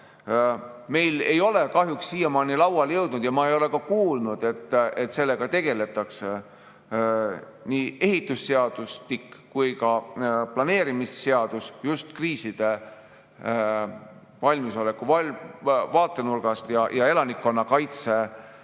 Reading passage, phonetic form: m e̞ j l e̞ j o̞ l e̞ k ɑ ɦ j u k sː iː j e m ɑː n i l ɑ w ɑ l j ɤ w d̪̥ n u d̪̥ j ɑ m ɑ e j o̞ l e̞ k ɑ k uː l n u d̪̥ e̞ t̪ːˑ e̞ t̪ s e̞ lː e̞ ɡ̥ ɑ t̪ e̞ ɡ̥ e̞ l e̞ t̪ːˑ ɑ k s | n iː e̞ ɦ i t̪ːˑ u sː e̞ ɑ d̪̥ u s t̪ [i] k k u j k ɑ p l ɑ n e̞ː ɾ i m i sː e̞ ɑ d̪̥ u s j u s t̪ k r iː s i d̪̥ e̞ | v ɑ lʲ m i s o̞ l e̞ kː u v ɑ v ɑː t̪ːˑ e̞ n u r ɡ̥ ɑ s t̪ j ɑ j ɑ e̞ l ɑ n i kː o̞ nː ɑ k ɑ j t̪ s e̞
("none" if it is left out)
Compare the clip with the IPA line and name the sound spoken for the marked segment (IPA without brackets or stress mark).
i